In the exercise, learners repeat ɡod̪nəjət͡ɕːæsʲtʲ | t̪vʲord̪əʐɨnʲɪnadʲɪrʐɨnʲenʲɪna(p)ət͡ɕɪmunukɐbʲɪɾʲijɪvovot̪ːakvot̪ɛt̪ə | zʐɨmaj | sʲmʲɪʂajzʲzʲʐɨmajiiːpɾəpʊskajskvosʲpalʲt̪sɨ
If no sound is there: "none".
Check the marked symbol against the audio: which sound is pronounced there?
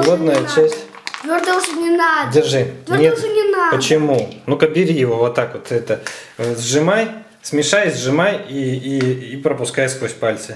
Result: p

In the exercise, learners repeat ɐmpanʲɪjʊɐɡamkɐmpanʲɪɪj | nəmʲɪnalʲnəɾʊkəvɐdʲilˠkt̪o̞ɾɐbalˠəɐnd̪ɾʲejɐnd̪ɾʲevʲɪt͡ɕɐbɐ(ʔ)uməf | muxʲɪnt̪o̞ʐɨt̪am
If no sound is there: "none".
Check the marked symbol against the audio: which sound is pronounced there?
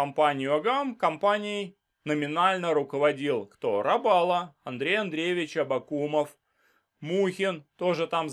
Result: k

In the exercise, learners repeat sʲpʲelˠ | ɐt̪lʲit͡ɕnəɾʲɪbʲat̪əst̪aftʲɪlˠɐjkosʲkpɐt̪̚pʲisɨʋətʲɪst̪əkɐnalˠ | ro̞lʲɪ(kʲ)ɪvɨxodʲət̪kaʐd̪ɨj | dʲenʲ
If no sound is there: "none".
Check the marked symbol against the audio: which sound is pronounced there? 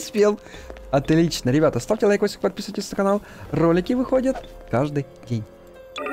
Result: kʲ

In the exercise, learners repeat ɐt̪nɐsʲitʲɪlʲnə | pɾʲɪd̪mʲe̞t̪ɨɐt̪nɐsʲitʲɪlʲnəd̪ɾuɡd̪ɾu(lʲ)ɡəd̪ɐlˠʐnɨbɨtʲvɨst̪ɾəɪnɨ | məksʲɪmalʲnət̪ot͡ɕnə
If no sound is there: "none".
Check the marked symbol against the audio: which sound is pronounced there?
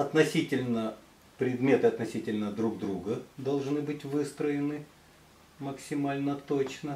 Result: none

